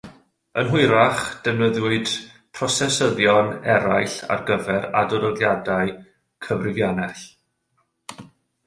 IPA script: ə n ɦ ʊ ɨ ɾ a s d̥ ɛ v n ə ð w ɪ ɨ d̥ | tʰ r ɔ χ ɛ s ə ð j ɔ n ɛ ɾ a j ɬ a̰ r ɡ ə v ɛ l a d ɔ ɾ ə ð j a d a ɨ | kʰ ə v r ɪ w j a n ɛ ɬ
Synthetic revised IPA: ə n ɦ ʊ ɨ ɾ a χ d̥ ɛ v n ə ð w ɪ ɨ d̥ | pʰ r ɔ s ɛ s ə ð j ɔ n ɛ ɾ a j ɬ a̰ r ɡ ə v ɛ ɾ a d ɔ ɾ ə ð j a d a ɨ | kʰ ə v r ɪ v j a n ɛ ɬ